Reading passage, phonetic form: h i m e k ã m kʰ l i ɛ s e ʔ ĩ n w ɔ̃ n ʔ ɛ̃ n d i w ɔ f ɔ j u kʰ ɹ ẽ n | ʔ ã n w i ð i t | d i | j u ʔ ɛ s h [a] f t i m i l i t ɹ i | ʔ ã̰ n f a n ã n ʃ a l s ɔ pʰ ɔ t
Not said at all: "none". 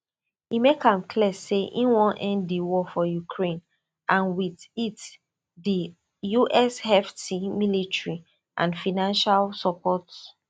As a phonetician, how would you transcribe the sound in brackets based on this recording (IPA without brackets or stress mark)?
ɛ